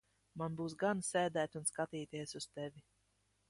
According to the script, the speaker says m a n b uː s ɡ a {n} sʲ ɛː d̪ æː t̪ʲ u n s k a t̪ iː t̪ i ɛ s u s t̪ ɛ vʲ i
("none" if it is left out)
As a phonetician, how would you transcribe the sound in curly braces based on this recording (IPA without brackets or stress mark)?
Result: n